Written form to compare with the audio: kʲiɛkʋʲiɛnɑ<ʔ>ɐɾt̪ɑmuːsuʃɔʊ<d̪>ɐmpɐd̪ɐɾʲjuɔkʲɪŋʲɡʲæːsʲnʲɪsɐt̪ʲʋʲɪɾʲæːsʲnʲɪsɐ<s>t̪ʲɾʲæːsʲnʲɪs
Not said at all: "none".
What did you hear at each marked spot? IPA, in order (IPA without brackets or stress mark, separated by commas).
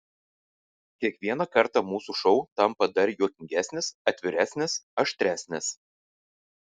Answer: k, t̪, ʃ